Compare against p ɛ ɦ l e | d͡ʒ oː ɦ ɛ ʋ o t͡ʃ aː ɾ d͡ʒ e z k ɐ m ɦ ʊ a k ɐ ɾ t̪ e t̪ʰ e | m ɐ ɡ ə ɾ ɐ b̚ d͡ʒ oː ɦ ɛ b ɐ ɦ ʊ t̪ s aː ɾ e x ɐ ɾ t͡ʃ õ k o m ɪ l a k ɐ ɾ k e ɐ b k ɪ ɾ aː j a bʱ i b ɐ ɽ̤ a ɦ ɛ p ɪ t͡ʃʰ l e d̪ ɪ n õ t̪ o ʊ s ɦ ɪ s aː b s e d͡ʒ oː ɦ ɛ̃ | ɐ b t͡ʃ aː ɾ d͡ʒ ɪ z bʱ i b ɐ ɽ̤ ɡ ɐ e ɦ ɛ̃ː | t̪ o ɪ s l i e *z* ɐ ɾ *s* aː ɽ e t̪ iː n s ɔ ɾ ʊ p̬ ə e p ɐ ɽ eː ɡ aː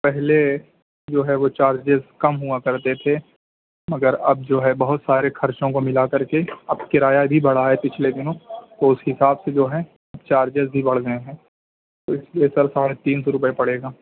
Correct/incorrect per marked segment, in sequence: incorrect: s, correct

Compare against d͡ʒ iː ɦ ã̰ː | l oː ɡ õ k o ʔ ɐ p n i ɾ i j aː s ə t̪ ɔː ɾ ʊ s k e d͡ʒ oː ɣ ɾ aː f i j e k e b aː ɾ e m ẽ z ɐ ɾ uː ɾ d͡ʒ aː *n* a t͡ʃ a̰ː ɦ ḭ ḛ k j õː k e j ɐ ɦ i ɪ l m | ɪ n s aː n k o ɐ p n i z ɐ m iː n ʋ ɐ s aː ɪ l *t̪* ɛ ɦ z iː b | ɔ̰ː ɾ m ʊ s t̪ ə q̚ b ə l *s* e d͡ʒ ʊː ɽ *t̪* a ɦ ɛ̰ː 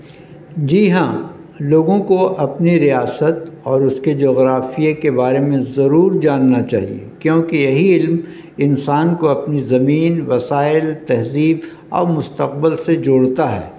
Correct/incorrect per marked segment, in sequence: incorrect: nː, correct, correct, correct

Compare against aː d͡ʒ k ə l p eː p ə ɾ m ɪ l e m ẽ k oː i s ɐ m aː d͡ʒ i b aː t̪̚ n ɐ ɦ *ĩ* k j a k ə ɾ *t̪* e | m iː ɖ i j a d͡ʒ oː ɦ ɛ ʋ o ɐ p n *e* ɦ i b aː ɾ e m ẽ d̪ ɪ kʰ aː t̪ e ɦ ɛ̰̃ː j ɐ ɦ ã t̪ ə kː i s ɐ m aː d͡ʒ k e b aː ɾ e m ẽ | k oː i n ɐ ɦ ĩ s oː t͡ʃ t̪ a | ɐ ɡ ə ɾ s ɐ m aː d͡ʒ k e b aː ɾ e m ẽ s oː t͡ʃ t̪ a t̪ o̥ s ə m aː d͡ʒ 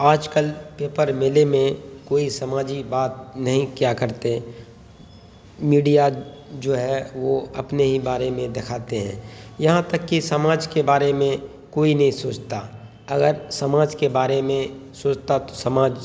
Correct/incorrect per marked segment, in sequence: correct, correct, correct

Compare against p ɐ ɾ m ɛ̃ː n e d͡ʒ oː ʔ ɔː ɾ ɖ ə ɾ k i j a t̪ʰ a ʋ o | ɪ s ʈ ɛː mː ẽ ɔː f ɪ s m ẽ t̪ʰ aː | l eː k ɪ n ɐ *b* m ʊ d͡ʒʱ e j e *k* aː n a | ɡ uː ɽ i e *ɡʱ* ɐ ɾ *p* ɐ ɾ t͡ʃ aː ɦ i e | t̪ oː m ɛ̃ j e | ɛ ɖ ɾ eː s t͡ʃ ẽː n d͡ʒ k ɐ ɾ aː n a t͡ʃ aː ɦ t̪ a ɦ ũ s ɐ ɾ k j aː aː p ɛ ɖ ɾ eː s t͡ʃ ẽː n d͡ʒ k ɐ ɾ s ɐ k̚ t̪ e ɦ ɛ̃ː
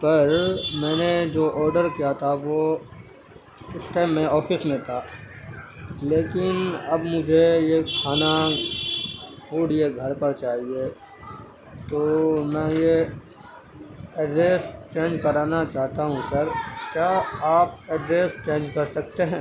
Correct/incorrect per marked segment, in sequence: correct, incorrect: kʰ, correct, correct

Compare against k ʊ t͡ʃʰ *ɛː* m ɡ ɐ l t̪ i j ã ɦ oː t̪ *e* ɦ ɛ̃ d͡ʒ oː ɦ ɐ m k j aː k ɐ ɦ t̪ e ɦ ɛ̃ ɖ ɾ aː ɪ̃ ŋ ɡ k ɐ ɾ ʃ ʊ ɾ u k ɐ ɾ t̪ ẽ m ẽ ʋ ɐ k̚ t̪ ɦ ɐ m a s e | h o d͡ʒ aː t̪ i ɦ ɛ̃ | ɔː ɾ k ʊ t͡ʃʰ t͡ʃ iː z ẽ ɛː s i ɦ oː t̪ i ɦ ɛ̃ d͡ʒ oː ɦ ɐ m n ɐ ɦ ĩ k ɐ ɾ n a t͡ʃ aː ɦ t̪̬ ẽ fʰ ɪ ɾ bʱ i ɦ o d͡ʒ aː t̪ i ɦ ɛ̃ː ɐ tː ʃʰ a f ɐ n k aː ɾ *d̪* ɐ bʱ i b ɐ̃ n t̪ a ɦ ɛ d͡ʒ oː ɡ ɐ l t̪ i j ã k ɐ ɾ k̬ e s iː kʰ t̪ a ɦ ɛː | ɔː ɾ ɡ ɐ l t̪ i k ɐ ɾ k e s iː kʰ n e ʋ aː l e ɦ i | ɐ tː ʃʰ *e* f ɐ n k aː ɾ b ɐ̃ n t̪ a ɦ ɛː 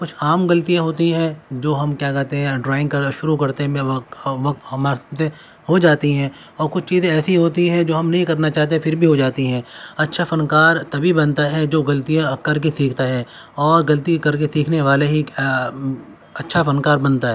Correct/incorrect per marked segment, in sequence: incorrect: aː, incorrect: i, incorrect: t̪, incorrect: a

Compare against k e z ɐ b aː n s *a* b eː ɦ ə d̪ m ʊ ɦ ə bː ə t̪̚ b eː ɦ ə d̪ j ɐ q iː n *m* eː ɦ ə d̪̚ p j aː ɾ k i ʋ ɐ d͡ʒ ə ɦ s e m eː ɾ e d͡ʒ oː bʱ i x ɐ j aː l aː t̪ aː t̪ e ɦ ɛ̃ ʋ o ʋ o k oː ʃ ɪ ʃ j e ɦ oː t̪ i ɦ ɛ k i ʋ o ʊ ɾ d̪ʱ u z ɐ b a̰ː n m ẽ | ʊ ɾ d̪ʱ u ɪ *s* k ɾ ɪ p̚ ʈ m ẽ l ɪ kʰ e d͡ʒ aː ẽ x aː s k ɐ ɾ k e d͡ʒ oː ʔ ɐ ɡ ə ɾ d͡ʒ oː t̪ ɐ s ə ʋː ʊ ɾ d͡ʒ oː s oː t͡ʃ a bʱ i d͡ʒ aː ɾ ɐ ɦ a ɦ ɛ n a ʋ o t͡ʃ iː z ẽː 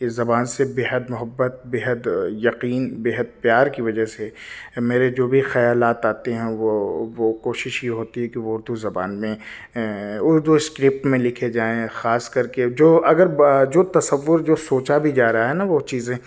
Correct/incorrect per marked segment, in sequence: incorrect: e, incorrect: b, correct

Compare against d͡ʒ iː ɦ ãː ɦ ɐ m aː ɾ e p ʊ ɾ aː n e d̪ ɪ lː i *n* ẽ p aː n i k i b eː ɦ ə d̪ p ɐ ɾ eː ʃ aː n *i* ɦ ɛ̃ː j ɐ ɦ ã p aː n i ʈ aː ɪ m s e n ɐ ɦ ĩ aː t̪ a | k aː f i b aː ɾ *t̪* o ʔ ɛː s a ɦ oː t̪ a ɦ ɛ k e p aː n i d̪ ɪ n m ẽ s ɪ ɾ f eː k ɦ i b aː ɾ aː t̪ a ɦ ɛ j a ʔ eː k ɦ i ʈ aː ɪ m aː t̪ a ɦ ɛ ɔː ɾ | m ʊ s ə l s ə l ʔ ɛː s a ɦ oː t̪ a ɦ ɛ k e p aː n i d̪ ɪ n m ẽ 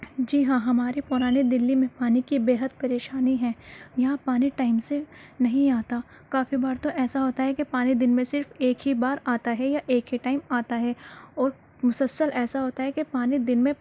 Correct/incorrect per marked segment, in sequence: incorrect: m, correct, correct

